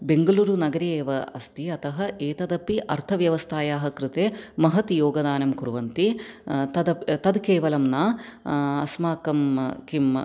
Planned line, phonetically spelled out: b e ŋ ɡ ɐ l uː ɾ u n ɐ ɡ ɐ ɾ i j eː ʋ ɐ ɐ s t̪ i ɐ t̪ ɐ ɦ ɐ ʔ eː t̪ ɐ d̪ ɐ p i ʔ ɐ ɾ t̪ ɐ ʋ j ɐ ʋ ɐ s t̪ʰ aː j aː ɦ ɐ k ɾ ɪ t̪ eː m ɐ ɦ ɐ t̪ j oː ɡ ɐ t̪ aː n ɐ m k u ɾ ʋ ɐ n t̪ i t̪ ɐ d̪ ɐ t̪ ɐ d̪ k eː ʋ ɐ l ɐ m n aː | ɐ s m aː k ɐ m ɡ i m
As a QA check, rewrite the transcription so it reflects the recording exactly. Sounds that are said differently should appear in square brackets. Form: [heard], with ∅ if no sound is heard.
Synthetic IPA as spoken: b e ŋ ɡ ɐ l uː ɾ u n ɐ ɡ ɐ ɾ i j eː ʋ ɐ ɐ s t̪ i ɐ t̪ ɐ ɦ ɐ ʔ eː t̪ ɐ d̪ ɐ p i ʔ ɐ ɾ [t̪ʰ] ɐ ʋ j ɐ ʋ ɐ s t̪ʰ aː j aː ɦ ɐ k ɾ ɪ t̪ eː m ɐ ɦ ɐ t̪ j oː ɡ ɐ [d̪] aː n ɐ m k u ɾ ʋ ɐ n t̪ i t̪ ɐ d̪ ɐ t̪ ɐ d̪ k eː ʋ ɐ l ɐ m n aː | ɐ s m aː k ɐ m [k] i m